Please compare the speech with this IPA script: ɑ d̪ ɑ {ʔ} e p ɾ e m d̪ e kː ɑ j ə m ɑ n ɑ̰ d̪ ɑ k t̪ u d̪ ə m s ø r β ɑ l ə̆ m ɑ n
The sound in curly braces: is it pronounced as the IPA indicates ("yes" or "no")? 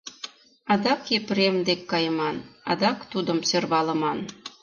no